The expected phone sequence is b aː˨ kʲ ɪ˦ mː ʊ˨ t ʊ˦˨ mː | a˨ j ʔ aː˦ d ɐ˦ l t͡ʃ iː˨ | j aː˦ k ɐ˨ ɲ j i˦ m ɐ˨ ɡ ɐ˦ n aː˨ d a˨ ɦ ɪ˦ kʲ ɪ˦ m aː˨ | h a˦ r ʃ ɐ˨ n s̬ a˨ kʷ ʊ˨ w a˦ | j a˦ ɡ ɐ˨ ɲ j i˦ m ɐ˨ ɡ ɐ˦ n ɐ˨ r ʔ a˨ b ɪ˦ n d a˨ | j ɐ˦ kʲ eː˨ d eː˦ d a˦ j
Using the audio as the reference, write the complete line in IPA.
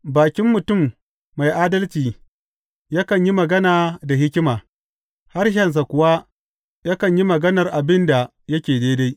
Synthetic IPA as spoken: b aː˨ kʲ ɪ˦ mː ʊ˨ t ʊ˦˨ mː | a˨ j ʔ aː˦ d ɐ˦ l t͡ʃ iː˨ | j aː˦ k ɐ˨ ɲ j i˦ m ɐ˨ ɡ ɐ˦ n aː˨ d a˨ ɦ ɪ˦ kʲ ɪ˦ m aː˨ | h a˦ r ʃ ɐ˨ n s̬ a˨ kʷ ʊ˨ w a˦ | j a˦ k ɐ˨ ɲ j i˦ m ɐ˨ ɡ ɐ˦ n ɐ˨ r ʔ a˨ b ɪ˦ n d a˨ | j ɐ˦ kʲ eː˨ d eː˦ d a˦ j